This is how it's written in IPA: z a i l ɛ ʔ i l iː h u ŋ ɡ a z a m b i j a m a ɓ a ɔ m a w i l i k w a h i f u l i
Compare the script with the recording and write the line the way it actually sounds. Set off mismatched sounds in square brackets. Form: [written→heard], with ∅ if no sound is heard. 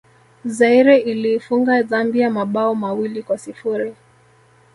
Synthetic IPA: z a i [l→ɾ] ɛ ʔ i l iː [h→f] u ŋ ɡ a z a m b i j a m a ɓ a ɔ m a w i l i k w a [h→s] i f u [l→ɾ] i